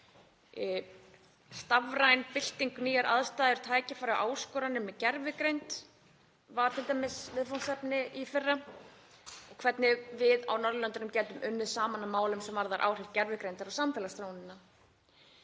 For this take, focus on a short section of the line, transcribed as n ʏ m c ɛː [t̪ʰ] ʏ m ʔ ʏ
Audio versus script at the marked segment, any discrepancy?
yes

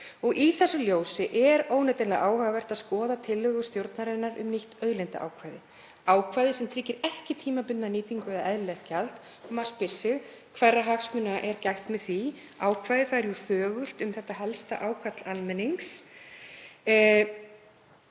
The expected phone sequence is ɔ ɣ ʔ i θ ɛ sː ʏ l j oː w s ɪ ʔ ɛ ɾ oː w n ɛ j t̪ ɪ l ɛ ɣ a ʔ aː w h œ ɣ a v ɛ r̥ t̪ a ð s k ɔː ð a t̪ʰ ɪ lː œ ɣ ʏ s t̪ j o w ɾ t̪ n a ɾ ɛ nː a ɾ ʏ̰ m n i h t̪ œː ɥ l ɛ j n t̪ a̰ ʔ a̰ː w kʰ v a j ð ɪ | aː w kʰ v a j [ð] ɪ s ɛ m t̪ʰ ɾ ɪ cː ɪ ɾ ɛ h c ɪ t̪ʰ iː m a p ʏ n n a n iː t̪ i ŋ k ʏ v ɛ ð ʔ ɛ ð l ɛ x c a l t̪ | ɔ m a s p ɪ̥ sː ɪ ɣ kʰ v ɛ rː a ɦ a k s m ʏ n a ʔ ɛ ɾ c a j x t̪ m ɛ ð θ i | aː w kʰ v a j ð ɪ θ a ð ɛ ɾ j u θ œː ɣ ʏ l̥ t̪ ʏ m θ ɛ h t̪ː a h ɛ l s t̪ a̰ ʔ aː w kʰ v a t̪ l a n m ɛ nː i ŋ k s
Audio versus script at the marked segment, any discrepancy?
no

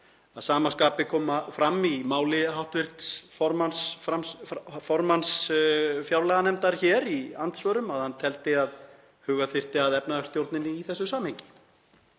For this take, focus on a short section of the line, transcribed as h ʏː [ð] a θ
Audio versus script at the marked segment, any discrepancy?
yes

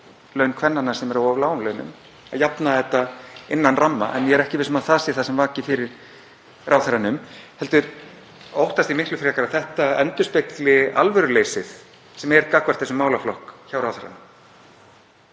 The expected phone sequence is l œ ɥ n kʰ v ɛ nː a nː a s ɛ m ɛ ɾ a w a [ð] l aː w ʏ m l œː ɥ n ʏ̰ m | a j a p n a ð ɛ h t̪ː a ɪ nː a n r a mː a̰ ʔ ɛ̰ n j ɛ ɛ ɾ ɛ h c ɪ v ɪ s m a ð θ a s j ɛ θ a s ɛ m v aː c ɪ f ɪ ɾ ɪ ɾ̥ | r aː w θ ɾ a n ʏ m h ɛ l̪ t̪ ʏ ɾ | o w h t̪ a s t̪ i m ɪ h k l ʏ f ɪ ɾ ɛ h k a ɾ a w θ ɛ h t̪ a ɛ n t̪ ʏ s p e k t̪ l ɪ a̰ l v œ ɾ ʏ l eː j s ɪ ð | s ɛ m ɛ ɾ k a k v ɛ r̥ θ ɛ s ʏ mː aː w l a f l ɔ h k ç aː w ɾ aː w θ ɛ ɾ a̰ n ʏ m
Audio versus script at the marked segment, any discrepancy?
yes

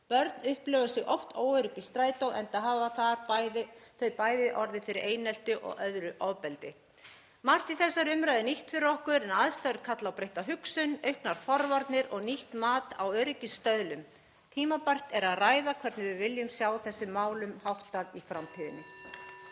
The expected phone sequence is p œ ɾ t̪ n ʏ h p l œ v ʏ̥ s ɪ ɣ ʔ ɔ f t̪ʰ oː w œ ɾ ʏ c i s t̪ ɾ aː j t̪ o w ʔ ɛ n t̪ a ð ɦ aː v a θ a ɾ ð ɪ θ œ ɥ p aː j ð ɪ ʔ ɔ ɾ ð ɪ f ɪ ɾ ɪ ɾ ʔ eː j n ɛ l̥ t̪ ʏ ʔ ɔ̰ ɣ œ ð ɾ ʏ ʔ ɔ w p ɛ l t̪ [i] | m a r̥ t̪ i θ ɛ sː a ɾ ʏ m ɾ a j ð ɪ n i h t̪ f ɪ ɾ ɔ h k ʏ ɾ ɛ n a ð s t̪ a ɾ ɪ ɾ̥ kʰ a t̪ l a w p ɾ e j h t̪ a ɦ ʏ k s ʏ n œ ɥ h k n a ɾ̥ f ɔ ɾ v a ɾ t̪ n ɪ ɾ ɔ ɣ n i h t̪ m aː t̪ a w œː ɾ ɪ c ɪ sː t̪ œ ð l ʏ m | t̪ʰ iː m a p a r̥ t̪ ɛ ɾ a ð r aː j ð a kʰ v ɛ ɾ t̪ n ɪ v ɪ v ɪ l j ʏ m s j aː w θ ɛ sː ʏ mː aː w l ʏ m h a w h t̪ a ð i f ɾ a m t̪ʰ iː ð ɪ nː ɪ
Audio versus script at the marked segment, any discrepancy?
yes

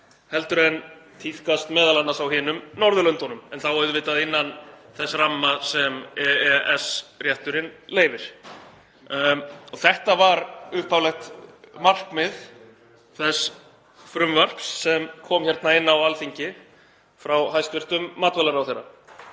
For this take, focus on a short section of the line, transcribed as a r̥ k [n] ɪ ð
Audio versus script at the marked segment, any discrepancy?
yes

